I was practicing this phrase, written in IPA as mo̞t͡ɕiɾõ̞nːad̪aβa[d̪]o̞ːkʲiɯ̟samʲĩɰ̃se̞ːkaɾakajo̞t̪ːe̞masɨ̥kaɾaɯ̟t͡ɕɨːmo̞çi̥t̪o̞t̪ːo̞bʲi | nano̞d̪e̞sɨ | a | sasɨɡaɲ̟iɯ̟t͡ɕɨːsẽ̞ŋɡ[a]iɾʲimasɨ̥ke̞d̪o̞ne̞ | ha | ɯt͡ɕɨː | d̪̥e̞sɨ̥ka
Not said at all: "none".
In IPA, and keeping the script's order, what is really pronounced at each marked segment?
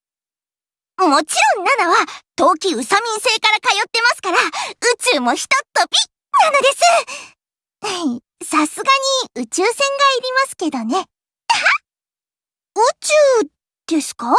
t̪, a

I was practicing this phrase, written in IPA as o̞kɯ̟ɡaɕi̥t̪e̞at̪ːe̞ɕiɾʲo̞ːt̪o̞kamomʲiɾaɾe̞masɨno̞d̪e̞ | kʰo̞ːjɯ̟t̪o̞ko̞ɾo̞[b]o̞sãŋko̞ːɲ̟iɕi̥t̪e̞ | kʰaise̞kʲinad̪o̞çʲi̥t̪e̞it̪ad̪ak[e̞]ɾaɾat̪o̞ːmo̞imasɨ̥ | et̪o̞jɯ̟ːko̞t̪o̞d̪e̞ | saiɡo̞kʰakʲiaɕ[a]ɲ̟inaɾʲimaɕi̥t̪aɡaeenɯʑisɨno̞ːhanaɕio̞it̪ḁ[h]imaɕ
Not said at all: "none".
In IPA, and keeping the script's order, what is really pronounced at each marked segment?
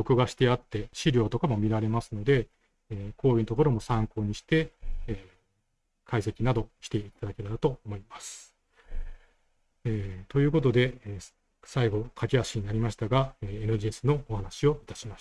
m, e̞, i, ɕ

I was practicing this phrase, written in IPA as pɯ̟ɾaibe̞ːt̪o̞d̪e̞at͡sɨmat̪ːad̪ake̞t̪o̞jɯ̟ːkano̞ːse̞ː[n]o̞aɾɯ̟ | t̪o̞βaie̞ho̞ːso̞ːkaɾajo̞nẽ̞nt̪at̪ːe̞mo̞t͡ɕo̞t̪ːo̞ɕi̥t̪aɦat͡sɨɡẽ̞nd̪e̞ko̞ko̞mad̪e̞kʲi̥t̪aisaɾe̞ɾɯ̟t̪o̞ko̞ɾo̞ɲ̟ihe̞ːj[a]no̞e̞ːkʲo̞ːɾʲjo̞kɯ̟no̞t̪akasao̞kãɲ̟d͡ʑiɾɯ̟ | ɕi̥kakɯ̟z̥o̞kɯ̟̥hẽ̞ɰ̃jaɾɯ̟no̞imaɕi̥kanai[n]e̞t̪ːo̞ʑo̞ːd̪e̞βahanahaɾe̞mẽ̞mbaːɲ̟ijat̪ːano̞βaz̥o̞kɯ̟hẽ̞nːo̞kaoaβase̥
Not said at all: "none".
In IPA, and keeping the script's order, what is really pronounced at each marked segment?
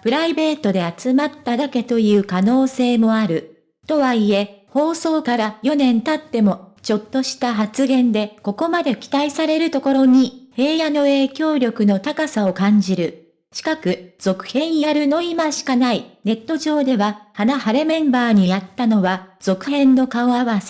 m, a, n

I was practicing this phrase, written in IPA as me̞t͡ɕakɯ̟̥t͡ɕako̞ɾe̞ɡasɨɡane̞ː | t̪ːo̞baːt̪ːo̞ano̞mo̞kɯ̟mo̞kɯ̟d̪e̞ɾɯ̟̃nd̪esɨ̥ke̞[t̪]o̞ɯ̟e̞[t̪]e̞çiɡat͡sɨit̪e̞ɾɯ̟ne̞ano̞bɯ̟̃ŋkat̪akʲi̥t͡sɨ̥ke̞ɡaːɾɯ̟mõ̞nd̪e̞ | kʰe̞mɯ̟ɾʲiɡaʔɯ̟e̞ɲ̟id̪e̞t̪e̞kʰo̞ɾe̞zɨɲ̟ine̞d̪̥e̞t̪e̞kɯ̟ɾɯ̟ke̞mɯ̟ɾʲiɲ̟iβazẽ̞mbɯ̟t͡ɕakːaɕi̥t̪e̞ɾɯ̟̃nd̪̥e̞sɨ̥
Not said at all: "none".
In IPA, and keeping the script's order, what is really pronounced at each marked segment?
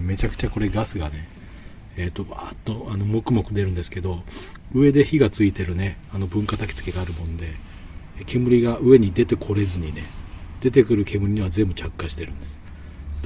d̪, d̪

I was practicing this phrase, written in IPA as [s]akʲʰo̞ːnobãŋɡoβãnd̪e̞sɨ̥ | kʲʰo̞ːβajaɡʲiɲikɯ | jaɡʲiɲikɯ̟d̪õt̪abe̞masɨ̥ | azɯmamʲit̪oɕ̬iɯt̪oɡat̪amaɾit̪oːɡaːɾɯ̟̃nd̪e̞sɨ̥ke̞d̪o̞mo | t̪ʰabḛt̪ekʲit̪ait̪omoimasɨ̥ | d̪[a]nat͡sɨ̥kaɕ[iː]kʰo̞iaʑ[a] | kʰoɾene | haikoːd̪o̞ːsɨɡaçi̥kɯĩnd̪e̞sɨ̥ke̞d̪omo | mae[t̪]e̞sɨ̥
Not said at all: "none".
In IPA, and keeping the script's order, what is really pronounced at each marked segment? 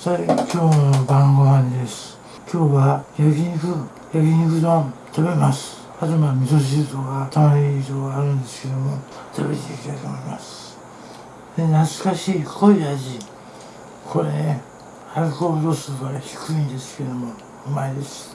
s, e, iː, i, d̪

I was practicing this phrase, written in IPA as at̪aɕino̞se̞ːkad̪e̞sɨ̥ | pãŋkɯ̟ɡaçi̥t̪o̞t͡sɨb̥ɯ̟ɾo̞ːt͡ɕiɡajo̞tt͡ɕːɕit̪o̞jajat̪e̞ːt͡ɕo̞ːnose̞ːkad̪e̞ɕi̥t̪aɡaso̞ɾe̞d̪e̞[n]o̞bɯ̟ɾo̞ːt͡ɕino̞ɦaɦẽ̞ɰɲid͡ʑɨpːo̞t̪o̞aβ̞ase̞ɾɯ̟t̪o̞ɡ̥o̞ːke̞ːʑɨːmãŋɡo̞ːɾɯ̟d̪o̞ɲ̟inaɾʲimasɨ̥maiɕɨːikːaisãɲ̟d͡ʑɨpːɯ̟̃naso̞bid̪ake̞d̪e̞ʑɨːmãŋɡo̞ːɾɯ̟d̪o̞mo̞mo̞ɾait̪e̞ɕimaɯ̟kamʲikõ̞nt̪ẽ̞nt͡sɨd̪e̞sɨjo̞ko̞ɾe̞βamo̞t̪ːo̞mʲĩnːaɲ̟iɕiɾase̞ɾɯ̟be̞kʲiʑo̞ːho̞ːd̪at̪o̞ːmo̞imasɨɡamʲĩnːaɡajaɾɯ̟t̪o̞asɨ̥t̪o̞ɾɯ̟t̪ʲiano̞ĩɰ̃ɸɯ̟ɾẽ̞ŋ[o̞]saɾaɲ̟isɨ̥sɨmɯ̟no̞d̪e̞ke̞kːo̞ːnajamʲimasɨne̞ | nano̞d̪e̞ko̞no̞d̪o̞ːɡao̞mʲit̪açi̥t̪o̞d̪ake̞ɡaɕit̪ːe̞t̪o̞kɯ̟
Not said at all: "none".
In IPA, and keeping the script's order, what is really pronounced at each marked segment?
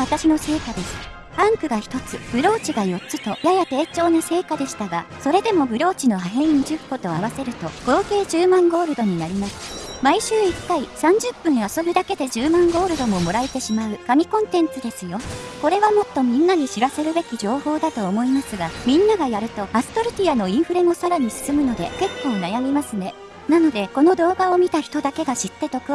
m, o̞

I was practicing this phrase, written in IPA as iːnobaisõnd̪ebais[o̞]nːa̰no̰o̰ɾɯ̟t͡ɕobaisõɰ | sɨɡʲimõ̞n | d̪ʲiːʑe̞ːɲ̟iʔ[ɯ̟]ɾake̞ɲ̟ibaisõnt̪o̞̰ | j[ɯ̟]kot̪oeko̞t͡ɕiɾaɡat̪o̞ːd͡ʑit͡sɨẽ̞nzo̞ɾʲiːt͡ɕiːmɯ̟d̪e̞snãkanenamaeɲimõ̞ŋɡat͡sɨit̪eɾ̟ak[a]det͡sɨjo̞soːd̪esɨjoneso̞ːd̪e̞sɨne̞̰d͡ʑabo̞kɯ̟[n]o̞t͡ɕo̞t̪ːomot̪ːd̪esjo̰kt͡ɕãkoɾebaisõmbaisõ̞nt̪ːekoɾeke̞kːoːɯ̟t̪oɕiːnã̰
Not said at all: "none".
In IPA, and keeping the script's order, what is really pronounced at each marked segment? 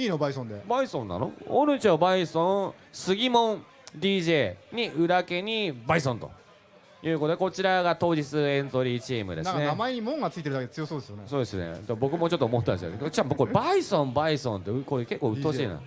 õ̞, ɯ̟, ɯ̟ː, e, m

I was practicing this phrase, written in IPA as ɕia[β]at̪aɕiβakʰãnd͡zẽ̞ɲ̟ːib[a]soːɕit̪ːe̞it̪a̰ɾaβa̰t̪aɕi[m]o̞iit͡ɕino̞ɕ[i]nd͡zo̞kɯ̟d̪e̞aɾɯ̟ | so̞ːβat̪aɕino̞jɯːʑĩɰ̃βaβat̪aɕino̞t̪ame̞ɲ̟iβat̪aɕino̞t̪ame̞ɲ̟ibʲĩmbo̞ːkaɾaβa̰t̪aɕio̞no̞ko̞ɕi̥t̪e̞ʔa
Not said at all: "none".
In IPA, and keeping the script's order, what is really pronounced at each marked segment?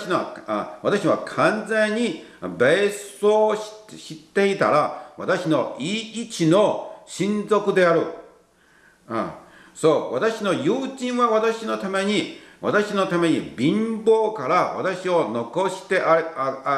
β, e, n, ĩ

